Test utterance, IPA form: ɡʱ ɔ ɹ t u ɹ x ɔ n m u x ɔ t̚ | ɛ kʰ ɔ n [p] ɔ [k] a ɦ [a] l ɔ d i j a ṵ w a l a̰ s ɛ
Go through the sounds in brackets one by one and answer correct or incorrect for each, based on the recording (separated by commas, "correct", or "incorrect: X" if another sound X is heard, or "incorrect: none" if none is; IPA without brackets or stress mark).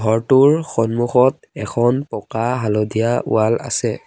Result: correct, correct, correct